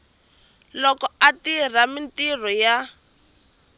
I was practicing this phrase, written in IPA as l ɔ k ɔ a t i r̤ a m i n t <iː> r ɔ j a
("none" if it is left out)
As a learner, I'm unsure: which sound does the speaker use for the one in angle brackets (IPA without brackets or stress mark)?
i